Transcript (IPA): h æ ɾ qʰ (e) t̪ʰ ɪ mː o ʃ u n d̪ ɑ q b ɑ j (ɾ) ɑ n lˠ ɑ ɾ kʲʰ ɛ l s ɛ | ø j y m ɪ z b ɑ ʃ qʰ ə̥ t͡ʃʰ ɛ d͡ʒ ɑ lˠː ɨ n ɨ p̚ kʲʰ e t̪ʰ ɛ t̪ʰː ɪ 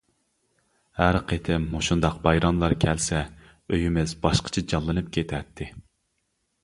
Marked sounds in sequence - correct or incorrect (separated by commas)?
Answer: correct, correct